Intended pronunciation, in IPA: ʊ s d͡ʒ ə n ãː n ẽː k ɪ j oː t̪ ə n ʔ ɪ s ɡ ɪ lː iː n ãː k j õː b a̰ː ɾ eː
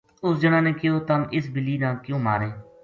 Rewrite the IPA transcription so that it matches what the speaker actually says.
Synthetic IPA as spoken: ʊ s d͡ʒ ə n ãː n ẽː k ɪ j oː t̪ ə m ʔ ɪ s b ɪ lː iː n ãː k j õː m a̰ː ɾ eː